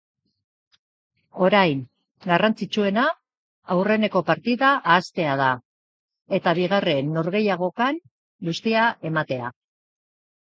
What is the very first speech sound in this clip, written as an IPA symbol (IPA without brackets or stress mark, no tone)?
o̞